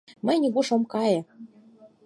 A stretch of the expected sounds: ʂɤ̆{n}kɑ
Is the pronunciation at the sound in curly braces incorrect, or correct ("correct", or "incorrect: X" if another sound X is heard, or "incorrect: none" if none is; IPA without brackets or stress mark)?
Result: incorrect: m